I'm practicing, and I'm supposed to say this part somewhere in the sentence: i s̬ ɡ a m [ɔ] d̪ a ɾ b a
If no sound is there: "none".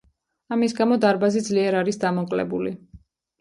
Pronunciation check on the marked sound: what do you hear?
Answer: ɔ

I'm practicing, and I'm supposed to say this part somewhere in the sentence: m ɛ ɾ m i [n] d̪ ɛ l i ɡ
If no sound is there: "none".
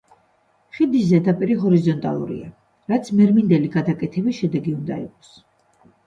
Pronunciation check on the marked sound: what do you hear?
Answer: n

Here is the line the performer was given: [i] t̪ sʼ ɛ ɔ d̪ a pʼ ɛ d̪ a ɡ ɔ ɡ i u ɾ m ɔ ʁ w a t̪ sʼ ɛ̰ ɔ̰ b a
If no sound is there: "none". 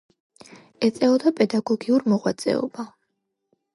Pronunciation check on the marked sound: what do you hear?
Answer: ɛ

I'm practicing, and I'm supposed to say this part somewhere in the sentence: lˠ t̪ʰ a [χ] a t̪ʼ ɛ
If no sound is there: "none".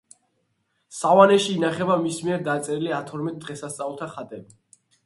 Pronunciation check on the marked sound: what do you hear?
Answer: χ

